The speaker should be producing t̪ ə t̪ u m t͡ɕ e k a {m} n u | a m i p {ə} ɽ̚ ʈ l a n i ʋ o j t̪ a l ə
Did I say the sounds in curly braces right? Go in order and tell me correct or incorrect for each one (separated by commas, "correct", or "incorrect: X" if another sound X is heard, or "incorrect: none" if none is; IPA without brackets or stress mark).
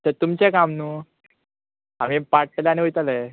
correct, incorrect: a